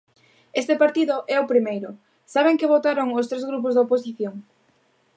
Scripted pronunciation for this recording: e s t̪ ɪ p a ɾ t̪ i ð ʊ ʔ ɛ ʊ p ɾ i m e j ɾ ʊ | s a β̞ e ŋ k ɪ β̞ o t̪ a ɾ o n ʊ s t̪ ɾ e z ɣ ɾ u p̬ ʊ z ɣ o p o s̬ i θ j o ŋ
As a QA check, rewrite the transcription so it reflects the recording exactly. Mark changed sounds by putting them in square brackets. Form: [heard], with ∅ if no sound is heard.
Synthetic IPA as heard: e s t̪ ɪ p a ɾ t̪ i ð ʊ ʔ ɛ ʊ p ɾ i m e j ɾ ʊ | s a β̞ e ŋ k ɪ β̞ o t̪ a ɾ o [ŋ] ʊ s t̪ ɾ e z ɣ ɾ u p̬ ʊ z [ð] o p o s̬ i θ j o ŋ